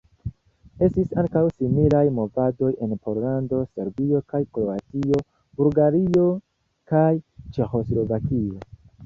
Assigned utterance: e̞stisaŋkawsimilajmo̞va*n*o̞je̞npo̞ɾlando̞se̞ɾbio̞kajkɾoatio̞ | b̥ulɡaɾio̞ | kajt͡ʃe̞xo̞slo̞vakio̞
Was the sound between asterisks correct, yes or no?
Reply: no